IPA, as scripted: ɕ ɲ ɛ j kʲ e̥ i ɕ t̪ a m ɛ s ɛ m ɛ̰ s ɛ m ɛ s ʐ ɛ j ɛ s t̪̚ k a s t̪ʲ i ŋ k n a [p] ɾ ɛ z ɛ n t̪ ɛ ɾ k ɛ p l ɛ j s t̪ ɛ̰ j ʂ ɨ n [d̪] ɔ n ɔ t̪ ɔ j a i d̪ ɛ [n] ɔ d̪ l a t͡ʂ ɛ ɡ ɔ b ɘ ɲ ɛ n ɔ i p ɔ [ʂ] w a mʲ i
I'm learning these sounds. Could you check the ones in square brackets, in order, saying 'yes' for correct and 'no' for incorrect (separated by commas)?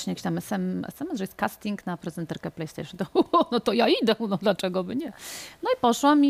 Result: yes, no, yes, yes